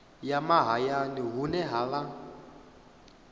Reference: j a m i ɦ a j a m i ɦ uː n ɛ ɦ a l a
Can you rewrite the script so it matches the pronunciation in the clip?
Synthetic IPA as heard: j a m a ɦ a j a n i ɦ u n ɛ ɦ a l a

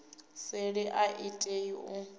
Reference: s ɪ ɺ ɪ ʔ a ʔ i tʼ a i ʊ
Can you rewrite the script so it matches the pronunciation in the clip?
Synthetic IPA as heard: s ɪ ɺ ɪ ʔ a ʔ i tʼ e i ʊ

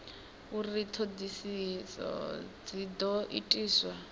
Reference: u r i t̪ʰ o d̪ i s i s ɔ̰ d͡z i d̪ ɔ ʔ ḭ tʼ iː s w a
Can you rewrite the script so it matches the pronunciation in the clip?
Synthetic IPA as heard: u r i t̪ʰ o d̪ i s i s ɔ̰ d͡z i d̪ ɔ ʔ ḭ tʼ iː s w a

